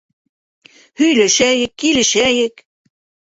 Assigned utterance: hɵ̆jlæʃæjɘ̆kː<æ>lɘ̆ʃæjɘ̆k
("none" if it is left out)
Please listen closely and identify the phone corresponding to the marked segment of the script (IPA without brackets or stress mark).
i